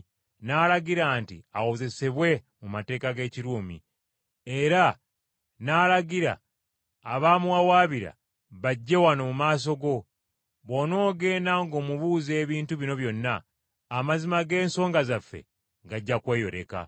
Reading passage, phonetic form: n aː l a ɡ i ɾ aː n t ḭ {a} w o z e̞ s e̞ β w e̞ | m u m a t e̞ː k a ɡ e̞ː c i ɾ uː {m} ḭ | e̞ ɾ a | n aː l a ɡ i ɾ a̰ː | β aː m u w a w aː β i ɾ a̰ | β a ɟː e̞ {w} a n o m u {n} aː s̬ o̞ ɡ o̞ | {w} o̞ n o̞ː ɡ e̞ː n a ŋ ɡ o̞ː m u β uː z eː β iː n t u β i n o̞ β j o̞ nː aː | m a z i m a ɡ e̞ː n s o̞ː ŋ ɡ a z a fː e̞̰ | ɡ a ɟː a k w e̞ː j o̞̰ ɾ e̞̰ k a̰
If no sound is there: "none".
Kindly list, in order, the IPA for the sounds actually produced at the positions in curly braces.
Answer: a, m, w, m, β

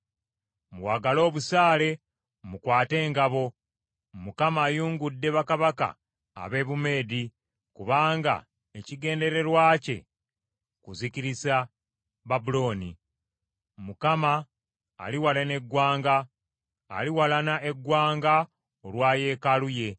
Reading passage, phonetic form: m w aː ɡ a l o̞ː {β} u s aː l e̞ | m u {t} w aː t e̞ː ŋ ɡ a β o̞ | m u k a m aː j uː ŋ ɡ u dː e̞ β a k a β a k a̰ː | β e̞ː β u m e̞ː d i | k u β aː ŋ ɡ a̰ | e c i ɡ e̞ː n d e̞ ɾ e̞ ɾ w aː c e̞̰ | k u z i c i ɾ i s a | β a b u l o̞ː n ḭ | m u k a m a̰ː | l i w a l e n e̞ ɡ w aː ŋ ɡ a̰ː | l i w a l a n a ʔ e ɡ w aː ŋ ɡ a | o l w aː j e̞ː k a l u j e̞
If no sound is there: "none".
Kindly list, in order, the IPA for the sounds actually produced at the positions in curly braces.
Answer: β, k

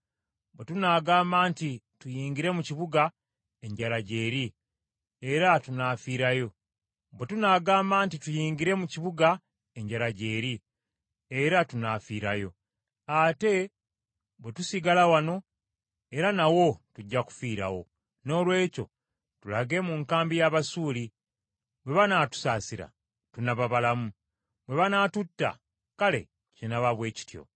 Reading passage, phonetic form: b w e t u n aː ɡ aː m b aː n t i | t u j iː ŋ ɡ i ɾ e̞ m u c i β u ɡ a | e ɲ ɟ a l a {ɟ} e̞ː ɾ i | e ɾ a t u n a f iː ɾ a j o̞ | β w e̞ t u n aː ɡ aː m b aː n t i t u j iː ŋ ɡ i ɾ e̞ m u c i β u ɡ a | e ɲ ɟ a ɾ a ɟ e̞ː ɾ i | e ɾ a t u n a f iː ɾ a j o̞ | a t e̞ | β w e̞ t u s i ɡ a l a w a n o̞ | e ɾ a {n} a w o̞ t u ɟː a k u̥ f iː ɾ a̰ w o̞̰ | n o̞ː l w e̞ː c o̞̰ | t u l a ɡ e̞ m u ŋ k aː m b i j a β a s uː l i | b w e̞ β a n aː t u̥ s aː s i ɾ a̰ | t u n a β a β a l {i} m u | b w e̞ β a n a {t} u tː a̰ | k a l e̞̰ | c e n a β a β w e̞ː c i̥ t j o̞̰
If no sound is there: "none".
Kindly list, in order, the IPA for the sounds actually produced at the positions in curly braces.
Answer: ɟ, n, a, t

